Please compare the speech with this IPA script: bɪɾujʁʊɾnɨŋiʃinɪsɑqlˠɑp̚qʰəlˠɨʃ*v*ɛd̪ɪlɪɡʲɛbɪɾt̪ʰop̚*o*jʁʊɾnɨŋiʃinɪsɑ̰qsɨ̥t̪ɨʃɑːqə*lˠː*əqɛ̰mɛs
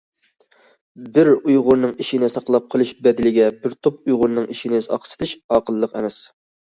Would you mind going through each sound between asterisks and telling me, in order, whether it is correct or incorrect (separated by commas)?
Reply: incorrect, incorrect, correct